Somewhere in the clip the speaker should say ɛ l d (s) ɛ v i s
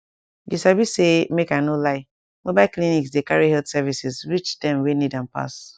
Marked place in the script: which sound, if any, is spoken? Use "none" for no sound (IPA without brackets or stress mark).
s